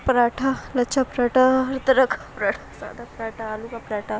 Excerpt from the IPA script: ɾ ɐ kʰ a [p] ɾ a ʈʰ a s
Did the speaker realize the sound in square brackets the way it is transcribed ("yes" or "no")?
yes